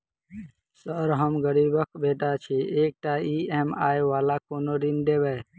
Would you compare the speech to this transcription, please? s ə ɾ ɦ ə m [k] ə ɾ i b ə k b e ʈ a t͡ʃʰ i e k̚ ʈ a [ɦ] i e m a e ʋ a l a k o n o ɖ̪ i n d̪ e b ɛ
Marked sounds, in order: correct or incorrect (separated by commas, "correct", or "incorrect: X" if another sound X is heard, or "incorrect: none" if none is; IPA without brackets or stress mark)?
incorrect: ɡ, incorrect: none